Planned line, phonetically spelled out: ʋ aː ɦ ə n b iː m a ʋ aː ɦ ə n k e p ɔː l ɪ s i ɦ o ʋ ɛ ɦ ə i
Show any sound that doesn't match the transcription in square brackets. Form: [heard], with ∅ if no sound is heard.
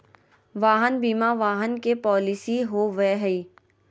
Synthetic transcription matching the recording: ʋ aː ɦ ə n b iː m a ʋ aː ɦ ə n k e p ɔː l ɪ s i ɦ o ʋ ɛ ɦ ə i